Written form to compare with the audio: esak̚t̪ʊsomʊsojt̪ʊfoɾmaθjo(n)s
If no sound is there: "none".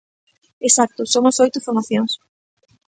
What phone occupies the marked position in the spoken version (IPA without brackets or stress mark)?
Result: ŋ